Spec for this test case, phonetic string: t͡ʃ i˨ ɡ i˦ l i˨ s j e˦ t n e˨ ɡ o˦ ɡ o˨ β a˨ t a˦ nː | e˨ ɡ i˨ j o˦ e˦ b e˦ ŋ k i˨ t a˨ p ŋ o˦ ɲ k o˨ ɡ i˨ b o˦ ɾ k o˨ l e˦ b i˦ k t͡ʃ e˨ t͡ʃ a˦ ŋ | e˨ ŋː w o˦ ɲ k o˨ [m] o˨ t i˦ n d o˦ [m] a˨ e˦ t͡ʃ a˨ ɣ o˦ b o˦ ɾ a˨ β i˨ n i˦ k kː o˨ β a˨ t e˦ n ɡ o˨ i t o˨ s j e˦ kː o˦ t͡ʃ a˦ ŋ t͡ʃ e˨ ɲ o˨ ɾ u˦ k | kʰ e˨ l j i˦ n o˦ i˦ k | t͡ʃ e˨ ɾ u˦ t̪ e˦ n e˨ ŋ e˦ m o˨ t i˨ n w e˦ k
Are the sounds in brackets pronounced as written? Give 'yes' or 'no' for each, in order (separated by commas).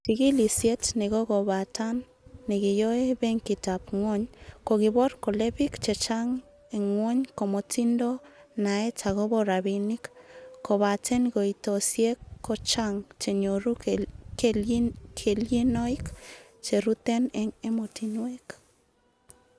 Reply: yes, no